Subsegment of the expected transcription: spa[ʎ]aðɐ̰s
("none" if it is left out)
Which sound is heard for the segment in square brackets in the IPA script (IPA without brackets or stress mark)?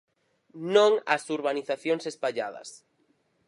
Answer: ʎ